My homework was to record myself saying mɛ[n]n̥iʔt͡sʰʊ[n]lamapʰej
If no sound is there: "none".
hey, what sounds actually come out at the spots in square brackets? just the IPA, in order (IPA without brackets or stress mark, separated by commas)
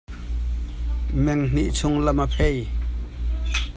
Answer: ŋ, ŋ